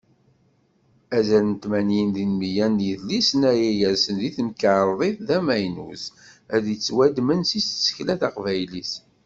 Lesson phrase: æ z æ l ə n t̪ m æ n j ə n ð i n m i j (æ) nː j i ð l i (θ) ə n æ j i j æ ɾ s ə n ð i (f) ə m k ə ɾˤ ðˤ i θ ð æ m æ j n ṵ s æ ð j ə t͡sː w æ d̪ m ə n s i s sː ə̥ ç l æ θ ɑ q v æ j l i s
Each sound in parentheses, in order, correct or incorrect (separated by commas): correct, incorrect, incorrect